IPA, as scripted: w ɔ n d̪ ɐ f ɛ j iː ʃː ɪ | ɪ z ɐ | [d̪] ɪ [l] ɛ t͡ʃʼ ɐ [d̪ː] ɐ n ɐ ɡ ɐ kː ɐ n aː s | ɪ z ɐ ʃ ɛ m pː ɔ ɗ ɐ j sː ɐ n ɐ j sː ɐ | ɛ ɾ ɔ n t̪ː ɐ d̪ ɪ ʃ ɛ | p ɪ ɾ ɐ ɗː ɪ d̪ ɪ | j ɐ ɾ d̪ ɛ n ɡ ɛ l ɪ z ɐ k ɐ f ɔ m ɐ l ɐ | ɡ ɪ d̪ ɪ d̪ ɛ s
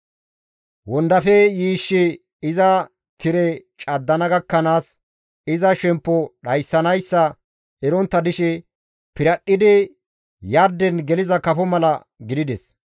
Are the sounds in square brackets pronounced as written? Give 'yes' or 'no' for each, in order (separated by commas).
no, no, yes